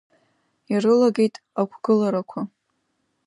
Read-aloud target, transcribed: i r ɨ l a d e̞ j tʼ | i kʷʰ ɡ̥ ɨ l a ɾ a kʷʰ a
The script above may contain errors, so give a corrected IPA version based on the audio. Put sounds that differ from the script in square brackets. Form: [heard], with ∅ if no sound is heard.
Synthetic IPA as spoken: i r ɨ l a [ɡ] e̞ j tʼ | [a] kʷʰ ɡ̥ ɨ l a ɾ a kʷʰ a